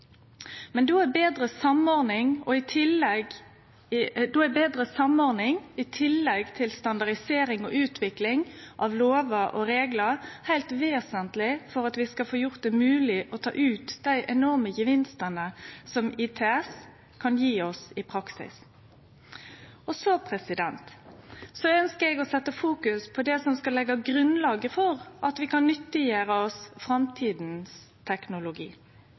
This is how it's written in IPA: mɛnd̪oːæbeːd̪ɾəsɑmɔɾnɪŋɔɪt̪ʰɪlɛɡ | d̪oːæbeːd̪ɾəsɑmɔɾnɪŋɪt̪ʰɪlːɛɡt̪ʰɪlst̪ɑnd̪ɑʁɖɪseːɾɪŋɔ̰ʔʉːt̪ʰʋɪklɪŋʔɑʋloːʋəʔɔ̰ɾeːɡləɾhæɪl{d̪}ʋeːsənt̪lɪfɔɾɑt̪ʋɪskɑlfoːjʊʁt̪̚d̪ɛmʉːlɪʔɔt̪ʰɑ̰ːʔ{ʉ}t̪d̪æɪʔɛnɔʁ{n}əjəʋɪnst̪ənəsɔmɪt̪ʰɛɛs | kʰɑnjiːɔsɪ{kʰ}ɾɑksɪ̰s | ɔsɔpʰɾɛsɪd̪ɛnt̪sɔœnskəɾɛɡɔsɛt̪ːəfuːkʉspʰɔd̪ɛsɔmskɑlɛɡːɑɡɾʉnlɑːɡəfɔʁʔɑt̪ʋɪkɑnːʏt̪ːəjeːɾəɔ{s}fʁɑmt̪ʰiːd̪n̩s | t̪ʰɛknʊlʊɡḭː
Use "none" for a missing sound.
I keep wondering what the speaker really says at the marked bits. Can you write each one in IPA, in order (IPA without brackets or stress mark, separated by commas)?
t̪, ʉː, m, pʰ, s